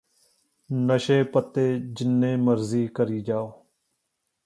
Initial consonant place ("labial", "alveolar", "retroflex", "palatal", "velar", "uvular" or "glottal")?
alveolar